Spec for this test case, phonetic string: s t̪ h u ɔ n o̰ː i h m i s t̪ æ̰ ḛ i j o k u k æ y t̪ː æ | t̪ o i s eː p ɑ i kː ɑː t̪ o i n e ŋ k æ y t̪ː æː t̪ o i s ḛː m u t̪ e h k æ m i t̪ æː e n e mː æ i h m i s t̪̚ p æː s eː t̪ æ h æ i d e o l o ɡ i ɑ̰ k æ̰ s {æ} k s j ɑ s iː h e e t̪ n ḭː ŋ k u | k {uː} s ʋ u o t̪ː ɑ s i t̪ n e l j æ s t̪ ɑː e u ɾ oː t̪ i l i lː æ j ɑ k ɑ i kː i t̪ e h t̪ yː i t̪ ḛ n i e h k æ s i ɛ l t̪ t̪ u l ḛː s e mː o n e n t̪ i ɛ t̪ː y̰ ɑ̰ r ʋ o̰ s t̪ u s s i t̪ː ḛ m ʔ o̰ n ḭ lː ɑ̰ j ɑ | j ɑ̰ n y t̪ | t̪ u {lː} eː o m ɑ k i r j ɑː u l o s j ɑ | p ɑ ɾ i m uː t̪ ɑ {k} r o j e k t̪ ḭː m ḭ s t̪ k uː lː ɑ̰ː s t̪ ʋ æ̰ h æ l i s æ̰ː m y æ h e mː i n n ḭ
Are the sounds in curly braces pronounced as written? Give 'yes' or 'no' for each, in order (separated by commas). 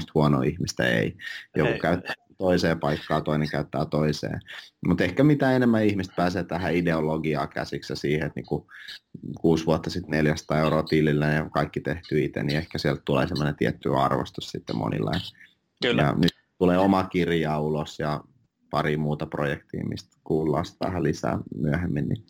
no, yes, no, no